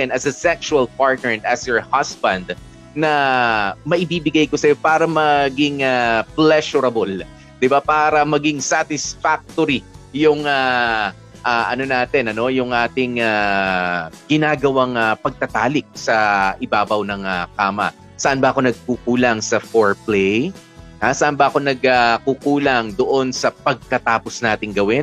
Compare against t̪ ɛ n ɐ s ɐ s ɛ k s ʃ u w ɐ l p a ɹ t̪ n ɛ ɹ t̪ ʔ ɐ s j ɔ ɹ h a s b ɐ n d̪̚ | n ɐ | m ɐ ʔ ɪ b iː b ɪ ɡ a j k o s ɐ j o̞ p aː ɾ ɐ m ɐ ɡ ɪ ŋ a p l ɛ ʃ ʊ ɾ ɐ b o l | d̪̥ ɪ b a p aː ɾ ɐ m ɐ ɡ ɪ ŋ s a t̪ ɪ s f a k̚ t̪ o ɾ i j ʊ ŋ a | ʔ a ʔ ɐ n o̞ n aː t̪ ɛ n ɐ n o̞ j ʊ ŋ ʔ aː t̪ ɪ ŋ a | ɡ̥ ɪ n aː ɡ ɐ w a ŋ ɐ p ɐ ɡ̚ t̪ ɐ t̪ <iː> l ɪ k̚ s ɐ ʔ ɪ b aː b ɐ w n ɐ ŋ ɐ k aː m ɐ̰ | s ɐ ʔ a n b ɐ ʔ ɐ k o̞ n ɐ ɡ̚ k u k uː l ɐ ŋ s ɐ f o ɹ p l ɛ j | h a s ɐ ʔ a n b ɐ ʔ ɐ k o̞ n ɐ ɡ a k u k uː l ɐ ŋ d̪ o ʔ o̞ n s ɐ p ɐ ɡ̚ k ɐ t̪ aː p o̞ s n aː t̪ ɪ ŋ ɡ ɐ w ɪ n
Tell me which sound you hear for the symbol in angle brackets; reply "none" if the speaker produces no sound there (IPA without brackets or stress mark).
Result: aː